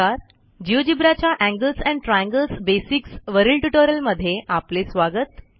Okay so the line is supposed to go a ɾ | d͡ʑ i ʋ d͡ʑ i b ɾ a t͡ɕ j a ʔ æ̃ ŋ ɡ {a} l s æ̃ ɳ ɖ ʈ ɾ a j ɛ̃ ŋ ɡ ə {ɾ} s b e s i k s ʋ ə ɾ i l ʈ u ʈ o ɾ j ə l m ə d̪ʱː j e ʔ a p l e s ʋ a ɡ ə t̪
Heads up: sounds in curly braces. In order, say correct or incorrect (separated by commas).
incorrect, incorrect